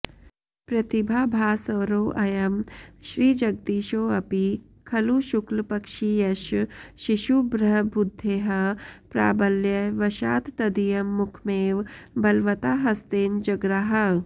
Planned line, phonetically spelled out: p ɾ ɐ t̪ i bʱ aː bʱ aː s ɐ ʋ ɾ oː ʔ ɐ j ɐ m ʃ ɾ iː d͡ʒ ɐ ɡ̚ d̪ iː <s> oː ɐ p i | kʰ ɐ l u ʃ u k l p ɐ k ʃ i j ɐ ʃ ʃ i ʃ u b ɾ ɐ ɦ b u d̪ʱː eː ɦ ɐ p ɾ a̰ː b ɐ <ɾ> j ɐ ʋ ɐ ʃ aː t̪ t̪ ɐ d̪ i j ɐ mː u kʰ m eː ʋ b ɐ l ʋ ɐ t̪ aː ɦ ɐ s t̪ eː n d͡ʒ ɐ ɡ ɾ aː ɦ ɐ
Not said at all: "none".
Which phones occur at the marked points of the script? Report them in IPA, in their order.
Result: ʃ, l

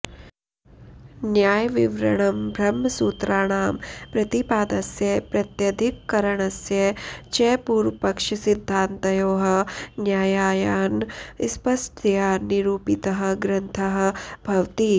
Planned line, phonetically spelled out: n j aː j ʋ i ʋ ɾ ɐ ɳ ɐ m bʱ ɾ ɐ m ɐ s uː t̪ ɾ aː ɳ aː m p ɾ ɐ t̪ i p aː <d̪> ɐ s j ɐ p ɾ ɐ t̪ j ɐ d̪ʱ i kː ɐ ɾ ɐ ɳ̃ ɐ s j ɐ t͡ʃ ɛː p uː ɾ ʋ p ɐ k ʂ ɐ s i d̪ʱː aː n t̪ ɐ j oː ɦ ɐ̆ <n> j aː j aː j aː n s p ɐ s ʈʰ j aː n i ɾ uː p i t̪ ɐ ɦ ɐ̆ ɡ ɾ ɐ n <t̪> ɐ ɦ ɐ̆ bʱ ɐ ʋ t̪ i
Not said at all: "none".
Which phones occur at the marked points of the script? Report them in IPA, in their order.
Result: d̪, n, t̪ʰ

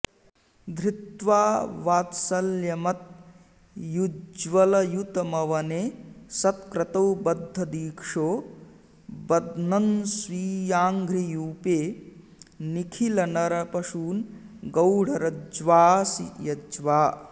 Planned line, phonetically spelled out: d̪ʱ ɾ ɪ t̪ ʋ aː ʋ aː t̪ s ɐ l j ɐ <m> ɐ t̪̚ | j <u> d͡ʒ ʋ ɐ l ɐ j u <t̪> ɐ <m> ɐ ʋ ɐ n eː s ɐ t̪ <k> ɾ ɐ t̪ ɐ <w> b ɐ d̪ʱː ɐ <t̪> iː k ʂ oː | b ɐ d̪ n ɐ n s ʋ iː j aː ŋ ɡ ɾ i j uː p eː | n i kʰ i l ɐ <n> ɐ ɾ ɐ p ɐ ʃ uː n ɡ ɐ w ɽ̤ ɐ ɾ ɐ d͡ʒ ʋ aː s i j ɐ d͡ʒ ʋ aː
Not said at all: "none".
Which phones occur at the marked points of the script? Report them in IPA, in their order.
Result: m, u, t̪, m, k, w, d̪, n

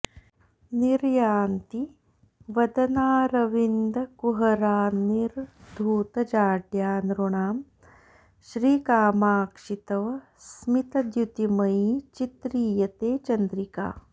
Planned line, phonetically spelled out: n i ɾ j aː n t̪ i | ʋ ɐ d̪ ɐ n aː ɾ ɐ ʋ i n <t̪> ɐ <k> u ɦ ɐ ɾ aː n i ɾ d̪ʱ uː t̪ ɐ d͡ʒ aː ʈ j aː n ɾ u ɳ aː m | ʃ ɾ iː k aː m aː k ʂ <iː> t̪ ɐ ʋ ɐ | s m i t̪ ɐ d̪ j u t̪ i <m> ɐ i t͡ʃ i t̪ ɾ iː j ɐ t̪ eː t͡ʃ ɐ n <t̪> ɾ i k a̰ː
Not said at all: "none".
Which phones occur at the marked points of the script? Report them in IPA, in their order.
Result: d̪, k, i, m, d̪

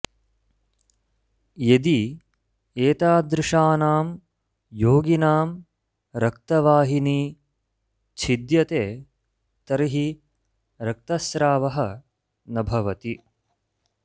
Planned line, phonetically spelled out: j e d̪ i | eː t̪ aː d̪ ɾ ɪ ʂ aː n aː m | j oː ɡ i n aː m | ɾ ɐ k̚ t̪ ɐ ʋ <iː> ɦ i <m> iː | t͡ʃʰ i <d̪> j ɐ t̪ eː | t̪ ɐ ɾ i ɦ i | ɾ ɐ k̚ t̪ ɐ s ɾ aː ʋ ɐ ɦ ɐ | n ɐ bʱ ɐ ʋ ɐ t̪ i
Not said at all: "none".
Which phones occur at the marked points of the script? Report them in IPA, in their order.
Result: aː, n, d̪

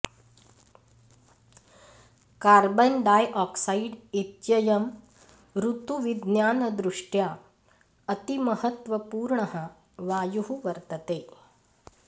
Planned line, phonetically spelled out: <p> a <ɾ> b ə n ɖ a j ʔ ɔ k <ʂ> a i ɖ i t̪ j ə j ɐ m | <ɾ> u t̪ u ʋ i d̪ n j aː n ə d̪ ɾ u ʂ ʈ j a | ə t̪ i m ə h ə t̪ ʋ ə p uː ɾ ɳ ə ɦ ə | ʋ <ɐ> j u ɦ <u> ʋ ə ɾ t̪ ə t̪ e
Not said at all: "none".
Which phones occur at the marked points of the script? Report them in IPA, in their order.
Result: k, ɾ, s, ɾ, a, u

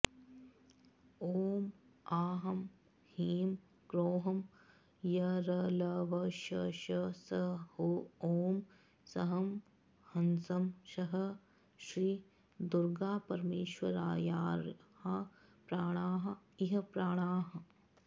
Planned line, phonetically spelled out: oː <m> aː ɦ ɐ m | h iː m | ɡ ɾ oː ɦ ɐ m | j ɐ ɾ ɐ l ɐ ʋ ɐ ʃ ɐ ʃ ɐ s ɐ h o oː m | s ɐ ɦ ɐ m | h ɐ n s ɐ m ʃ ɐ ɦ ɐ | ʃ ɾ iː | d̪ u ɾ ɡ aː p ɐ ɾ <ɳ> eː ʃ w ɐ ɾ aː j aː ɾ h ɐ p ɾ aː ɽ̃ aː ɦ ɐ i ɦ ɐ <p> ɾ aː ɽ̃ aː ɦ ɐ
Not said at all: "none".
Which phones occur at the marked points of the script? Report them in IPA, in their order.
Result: m, m, p

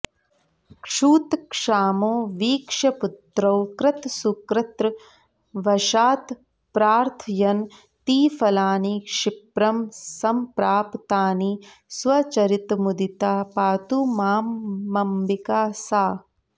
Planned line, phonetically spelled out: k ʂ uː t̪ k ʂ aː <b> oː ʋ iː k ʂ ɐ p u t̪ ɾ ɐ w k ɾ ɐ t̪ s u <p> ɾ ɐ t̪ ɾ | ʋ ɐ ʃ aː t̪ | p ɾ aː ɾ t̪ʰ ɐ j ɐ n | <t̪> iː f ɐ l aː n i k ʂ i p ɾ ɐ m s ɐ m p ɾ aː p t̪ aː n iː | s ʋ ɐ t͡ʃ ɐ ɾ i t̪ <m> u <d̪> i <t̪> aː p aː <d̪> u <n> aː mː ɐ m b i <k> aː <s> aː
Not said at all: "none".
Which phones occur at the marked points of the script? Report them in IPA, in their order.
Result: m, k, t̪, m, d̪, t̪, t̪, m, k, s

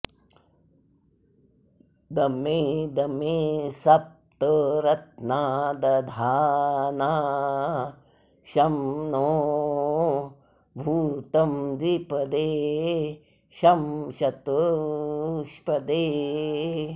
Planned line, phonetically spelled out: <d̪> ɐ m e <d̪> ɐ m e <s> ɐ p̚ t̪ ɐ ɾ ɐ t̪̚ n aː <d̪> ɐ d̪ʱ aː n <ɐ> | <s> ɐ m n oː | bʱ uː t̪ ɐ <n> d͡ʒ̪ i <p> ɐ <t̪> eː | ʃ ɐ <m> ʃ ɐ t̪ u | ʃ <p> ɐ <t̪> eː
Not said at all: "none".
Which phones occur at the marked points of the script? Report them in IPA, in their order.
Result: d̪, d̪, s, d̪, a, ʃ, m, p, d̪, m, p, d̪

